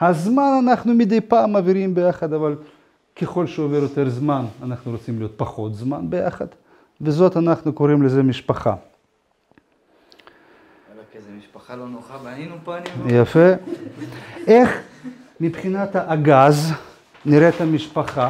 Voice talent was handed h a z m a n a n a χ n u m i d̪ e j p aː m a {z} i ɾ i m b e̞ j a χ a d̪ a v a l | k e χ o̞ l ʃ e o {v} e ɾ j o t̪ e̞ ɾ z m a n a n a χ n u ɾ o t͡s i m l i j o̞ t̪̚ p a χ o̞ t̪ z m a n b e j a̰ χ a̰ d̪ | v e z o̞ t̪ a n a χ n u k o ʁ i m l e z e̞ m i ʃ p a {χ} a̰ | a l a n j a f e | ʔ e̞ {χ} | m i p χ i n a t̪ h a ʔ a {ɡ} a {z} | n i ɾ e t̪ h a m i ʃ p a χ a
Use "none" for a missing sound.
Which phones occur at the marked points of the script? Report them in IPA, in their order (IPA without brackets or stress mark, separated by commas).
v, v, χ, χ, ɡ, z